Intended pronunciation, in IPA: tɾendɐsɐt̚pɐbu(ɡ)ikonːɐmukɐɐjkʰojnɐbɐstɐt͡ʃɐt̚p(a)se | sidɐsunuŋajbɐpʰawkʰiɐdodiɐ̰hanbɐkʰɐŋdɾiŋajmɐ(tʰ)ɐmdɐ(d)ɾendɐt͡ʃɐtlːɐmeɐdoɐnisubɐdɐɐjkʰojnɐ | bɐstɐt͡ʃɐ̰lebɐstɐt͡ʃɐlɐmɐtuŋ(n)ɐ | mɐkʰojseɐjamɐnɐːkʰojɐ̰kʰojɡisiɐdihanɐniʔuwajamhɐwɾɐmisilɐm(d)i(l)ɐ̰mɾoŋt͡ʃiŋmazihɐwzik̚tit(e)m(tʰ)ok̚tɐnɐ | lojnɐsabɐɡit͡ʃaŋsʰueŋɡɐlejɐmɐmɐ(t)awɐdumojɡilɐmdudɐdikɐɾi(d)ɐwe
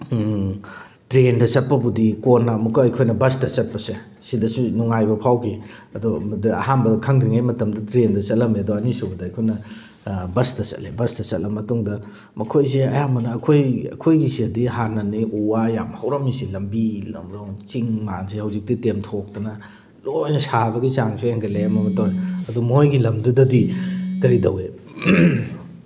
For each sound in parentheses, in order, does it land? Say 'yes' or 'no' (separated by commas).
no, no, no, no, no, no, yes, yes, yes, yes, yes